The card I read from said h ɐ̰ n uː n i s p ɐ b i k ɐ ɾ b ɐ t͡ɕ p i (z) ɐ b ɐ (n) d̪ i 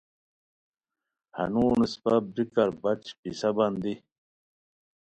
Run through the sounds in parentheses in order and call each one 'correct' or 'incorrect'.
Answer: incorrect, correct

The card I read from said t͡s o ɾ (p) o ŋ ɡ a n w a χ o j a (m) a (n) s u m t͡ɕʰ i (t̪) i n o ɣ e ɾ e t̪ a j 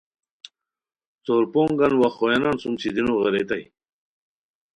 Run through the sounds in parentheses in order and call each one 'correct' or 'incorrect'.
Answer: correct, incorrect, correct, incorrect

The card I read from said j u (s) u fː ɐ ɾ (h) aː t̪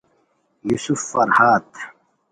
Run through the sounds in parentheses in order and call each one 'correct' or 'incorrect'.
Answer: correct, correct

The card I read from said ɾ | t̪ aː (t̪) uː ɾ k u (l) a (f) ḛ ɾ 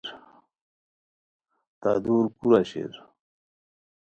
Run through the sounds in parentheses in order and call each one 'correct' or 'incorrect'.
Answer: incorrect, incorrect, incorrect

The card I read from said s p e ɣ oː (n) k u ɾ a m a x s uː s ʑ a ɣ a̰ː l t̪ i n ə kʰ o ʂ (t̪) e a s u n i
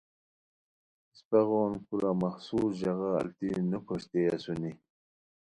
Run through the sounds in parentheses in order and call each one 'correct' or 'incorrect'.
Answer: correct, correct

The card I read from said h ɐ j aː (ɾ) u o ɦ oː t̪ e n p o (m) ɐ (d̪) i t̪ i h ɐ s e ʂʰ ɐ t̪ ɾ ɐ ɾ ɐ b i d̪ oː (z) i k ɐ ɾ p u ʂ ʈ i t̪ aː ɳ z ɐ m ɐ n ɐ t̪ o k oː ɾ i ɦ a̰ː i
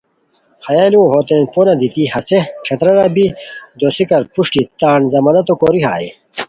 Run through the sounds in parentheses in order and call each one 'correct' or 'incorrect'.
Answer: incorrect, incorrect, correct, incorrect

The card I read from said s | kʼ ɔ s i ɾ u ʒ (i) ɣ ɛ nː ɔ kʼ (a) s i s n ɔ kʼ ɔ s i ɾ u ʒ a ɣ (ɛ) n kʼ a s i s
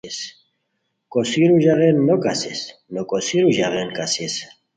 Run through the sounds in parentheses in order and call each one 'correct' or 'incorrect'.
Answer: incorrect, correct, correct

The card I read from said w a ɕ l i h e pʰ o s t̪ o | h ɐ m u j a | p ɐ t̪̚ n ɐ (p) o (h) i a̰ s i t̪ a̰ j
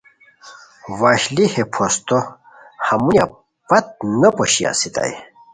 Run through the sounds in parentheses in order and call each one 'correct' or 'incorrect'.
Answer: correct, incorrect

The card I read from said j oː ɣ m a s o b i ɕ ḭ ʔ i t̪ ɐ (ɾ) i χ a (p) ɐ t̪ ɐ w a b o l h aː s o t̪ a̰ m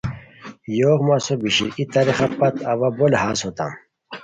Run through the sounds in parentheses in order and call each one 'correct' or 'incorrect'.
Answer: correct, correct

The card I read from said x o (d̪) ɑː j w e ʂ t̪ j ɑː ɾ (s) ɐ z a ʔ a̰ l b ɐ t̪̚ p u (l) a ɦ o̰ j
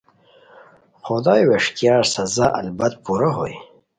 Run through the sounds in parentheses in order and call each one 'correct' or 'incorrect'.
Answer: correct, correct, incorrect

